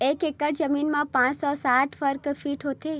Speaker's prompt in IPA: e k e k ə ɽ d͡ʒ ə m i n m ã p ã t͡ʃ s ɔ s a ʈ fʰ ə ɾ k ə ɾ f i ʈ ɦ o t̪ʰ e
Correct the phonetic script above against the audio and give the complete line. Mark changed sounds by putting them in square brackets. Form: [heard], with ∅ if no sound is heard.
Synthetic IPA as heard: e k e k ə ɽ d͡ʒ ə m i n m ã p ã t͡ʃ s ɔ s a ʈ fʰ ə ɾ k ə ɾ f i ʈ ɦ o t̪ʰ e